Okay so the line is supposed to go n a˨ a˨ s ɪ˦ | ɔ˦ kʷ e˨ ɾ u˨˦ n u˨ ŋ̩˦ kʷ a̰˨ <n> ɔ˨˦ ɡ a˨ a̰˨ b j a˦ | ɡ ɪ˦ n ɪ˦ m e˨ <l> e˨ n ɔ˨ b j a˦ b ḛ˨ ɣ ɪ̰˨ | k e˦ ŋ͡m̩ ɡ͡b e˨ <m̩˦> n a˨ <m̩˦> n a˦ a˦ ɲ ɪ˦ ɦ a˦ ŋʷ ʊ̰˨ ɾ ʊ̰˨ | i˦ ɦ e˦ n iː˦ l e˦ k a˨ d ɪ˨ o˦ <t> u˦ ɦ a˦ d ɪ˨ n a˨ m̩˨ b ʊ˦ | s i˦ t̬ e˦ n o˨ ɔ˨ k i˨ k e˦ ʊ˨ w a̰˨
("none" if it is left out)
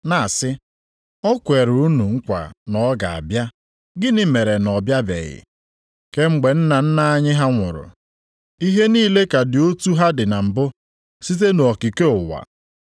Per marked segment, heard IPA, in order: n, ɾ, n̩˦, n̩˦, t

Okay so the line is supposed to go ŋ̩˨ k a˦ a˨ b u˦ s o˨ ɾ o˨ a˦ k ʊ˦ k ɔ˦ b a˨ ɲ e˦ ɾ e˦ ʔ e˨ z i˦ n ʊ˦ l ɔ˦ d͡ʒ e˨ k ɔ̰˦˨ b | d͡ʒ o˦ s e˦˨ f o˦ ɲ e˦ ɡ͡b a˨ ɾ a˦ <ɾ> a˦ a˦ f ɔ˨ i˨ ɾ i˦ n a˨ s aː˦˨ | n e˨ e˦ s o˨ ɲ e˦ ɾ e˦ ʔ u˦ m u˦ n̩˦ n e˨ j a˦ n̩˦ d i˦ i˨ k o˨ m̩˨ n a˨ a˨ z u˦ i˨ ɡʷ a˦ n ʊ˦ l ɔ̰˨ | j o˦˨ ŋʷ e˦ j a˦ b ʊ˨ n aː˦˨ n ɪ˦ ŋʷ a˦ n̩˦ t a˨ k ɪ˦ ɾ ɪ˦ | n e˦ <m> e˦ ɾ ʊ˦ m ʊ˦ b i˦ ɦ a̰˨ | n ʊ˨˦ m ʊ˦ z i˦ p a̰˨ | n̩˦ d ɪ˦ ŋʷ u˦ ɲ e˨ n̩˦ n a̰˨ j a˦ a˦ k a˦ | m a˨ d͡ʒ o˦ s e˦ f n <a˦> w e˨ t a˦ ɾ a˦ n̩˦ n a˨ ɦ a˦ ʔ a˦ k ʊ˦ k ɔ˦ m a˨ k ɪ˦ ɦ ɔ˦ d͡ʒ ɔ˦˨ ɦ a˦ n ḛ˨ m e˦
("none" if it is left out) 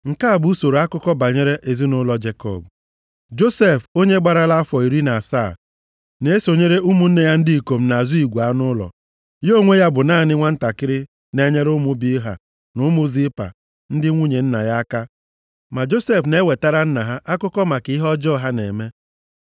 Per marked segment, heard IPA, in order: l, ɲ, e˦

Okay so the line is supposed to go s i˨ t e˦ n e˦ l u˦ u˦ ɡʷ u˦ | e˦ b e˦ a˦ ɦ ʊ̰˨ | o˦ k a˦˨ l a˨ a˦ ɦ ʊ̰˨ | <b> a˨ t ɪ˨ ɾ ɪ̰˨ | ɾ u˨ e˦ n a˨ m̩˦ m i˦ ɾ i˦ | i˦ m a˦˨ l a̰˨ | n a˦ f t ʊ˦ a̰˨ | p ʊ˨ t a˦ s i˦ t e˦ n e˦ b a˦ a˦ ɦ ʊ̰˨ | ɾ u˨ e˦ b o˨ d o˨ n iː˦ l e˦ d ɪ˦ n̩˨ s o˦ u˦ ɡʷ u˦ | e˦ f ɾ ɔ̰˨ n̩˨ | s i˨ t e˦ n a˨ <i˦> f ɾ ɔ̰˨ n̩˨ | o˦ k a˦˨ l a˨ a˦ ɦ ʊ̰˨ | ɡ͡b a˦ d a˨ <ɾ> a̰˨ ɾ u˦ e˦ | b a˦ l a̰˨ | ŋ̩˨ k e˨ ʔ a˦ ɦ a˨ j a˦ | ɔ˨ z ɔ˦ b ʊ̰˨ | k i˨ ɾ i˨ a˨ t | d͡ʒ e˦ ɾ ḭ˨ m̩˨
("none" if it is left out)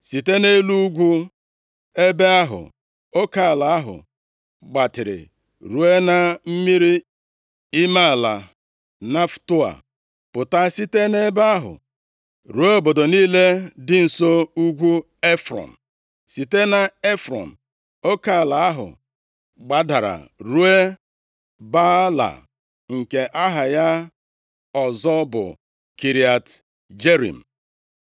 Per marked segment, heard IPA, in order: ɡ͡b, e˦, ɾ

